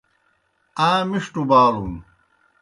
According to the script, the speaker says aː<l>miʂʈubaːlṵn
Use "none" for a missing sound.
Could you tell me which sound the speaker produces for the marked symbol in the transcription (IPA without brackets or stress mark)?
none